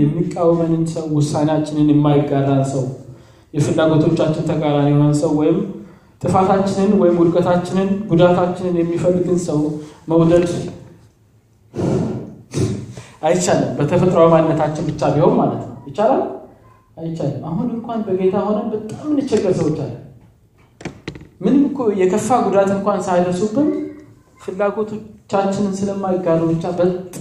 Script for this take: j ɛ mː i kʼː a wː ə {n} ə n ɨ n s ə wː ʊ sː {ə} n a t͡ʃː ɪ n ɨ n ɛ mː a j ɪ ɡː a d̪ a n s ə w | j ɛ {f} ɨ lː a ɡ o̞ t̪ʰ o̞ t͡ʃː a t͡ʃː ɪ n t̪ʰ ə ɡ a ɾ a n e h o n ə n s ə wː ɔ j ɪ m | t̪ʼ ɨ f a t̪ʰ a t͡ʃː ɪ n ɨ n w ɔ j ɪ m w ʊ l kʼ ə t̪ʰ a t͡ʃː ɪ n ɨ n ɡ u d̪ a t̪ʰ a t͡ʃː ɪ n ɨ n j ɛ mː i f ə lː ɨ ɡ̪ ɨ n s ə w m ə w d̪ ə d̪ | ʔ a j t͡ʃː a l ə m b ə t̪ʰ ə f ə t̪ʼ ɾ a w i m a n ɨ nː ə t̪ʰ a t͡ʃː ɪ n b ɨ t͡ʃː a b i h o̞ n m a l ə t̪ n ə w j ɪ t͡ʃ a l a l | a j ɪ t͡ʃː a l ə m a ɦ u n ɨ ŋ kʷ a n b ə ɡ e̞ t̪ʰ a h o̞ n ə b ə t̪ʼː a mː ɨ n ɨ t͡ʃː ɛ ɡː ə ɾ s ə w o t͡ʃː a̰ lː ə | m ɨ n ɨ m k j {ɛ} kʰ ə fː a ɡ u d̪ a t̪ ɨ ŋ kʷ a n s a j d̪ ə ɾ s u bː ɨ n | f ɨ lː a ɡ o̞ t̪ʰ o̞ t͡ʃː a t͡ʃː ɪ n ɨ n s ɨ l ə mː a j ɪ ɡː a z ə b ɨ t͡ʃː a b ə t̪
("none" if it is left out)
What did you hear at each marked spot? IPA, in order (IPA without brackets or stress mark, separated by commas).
m, a, f, ɛ